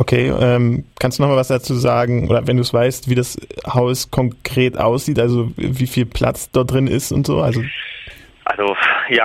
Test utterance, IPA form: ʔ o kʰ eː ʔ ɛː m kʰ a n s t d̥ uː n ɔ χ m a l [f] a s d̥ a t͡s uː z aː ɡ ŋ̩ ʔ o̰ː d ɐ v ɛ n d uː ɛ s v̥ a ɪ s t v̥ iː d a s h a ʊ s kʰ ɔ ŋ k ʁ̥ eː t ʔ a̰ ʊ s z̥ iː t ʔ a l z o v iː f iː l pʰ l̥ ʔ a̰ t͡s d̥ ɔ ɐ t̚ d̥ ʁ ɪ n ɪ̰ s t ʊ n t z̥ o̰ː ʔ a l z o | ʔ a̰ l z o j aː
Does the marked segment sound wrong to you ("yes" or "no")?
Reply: yes